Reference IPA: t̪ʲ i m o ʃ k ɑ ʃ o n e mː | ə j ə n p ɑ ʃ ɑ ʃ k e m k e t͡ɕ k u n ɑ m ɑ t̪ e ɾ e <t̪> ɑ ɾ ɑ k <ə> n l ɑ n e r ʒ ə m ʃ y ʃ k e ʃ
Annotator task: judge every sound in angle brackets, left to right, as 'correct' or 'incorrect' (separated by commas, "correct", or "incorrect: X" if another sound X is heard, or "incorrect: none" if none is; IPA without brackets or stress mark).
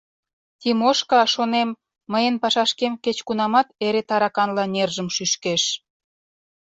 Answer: correct, incorrect: ɑ